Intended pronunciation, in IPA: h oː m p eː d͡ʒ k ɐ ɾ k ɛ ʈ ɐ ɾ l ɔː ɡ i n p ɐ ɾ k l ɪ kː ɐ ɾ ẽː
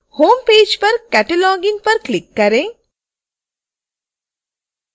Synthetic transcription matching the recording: h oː m p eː d͡ʒ p ɐ ɾ k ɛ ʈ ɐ l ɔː ɡ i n p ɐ ɾ k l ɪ kː ɐ ɾ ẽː